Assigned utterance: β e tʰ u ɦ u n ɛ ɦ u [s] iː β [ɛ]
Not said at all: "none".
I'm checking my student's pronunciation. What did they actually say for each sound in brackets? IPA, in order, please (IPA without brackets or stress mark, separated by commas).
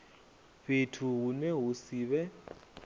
s, ɛ